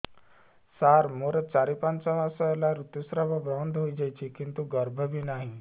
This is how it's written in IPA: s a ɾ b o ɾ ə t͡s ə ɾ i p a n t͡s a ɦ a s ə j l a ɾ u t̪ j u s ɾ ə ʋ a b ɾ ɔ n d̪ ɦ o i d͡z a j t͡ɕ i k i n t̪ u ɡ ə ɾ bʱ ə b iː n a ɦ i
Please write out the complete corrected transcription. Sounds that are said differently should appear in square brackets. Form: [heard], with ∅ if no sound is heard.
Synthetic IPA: s a ɾ [m] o ɾ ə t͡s [a] ɾ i p a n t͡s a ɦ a s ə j l a ɾ u t̪ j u s ɾ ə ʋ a b ɾ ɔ n d̪ ɦ o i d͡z a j t͡ɕ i k i n t̪ u ɡ ə ɾ bʱ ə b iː n a ɦ i